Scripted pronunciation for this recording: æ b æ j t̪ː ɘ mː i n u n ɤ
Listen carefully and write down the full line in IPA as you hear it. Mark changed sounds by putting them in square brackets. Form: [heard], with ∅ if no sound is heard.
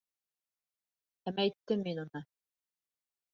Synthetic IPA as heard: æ [m] æ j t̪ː ɘ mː i n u n ɤ